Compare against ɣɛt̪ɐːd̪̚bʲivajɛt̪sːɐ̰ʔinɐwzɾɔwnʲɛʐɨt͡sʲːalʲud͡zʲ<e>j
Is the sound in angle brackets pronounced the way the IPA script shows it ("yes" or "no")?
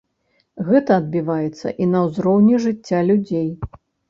yes